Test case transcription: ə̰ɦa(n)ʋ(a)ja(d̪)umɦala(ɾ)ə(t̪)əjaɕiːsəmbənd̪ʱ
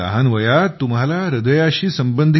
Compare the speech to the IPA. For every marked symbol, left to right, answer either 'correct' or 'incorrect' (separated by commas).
correct, incorrect, incorrect, correct, incorrect